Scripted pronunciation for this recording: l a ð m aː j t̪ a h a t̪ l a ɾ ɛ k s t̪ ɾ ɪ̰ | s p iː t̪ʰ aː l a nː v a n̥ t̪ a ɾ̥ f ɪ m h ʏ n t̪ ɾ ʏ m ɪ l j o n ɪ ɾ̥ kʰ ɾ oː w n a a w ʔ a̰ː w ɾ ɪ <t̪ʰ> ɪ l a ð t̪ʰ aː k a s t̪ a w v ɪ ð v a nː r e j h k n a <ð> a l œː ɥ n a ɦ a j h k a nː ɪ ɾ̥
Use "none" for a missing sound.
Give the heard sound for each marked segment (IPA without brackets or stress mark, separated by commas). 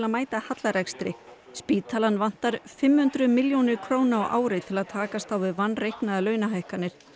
t̪ʰ, ð